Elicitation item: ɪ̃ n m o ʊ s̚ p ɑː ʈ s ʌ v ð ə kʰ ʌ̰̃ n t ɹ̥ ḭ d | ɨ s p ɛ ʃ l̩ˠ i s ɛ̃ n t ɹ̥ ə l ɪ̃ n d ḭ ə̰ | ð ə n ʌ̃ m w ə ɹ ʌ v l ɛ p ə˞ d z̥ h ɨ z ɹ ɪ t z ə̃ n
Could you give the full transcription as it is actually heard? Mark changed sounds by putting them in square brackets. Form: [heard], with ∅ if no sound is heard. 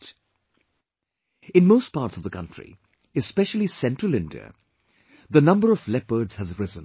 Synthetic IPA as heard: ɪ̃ n m o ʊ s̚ p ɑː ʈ s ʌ v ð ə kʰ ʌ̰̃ n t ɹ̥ ḭ [∅] | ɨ s p ɛ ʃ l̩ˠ i s ɛ̃ n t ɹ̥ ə l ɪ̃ n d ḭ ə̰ | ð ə n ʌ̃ m [b] ə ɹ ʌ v l ɛ p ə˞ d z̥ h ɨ z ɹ ɪ [∅] z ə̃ n